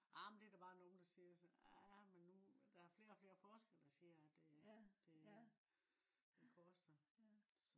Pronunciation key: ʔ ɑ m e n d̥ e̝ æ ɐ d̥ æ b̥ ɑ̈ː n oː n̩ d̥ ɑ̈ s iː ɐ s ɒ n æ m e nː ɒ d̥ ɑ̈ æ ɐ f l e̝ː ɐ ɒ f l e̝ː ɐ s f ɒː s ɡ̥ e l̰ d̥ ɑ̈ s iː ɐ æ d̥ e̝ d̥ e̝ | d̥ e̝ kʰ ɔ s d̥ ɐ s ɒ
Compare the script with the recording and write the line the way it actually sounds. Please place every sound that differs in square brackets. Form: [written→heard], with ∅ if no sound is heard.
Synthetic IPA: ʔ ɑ m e n d̥ e̝ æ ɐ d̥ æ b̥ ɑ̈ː n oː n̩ d̥ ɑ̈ s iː ɐ s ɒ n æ m e nː [ɒ→u] d̥ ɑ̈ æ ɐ f l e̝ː ɐ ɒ f l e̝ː ɐ [s→∅] f ɒː s ɡ̥ e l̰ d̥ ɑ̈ s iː ɐ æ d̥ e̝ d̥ e̝ | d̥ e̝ kʰ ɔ s d̥ ɐ s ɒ

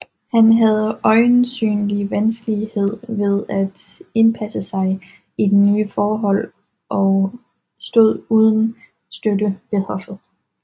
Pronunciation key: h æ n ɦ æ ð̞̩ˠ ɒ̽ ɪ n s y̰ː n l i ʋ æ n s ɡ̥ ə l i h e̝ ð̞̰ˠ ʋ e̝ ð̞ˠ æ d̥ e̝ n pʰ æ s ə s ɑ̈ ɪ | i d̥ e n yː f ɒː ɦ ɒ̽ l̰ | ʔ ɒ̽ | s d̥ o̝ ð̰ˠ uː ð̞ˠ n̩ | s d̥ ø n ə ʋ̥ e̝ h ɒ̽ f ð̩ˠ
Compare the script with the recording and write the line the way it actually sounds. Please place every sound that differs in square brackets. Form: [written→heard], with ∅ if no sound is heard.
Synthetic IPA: h æ n ɦ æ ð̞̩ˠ ɒ̽ ɪ n s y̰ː n l i ʋ æ n s ɡ̥ ə l i h e̝ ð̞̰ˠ ʋ e̝ ð̞ˠ æ d̥ e̝ n pʰ æ s ə s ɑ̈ ɪ | i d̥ e n yː f ɒː ɦ ɒ̽ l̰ | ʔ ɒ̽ | s d̥ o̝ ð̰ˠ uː ð̞ˠ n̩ | s d̥ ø [n→d] ə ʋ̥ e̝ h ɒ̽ f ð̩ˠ

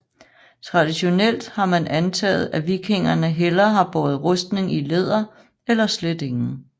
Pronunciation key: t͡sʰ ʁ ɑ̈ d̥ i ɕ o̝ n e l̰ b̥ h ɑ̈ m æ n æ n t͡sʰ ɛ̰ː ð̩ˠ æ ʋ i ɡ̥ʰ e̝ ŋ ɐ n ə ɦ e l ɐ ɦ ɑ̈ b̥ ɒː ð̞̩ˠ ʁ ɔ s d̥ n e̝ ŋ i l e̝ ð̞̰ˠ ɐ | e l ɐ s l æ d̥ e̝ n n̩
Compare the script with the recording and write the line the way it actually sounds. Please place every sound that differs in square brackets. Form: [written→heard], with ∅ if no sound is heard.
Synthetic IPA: t͡sʰ ʁ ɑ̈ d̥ i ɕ o̝ n e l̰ [b̥→d̥] h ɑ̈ m æ n æ n t͡sʰ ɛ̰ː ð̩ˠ æ ʋ i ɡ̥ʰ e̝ ŋ ɐ n ə ɦ e l ɐ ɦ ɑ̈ b̥ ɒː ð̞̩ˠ ʁ ɔ s d̥ n e̝ ŋ i l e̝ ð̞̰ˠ ɐ | e l ɐ s l [æ→e] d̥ e̝ [n→ŋ] n̩

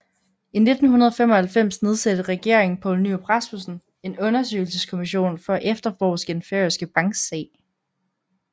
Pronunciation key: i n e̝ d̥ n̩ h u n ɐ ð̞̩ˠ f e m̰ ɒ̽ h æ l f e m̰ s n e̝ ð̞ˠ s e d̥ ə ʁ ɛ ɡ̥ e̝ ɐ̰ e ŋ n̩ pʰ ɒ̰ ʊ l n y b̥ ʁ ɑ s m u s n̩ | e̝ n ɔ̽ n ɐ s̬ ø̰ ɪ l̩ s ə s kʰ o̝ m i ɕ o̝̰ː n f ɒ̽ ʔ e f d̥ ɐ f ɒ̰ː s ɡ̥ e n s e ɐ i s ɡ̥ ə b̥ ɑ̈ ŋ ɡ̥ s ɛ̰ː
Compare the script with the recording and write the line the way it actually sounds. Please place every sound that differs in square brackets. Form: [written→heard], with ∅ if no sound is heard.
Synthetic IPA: i n e̝ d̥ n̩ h u n ɐ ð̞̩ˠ f e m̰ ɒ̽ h æ l f e m̰ s n e̝ ð̞ˠ s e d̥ ə ʁ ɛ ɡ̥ e̝ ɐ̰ e ŋ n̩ pʰ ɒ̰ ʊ l n y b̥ ʁ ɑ s m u s n̩ | e̝ n ɔ̽ n ɐ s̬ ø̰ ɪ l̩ s ə s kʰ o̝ m i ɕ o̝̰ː n f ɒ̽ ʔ e f d̥ ɐ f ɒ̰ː s ɡ̥ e n [s→f] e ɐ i s ɡ̥ ə b̥ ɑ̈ ŋ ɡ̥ s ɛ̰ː

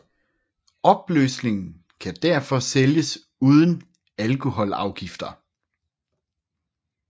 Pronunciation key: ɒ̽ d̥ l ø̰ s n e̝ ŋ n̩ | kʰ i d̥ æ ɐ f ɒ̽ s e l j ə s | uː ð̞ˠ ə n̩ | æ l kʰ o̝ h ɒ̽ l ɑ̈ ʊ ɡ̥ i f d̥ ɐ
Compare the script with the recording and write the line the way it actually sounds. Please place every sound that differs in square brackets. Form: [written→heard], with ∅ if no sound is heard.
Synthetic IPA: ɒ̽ [d̥→b̥] l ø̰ s n e̝ ŋ n̩ | kʰ [i→æ] d̥ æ ɐ f ɒ̽ s e l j ə s | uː ð̞ˠ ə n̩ | æ l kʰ o̝ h ɒ̽ l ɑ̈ ʊ ɡ̥ i f d̥ ɐ

